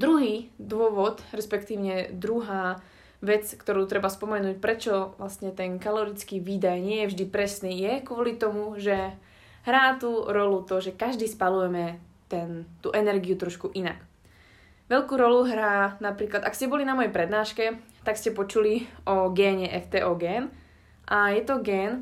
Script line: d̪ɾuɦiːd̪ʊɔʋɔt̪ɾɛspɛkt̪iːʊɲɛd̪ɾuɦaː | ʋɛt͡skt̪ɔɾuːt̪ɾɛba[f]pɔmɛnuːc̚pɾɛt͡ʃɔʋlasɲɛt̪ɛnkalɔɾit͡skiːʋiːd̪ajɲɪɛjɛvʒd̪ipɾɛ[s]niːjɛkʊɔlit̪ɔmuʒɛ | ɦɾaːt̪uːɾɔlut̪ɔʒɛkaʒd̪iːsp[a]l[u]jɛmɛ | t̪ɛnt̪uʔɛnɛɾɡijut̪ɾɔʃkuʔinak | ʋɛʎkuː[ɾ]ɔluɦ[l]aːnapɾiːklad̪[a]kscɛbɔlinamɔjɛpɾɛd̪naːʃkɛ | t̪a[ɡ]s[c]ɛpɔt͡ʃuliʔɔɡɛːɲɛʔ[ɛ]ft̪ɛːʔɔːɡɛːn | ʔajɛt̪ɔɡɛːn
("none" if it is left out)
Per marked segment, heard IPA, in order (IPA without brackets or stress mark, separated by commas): s, s, a, u, ɾ, ɾ, a, k, c, ɛ